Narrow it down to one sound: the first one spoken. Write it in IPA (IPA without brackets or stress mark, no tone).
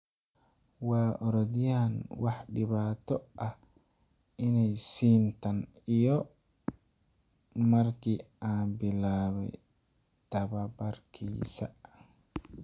w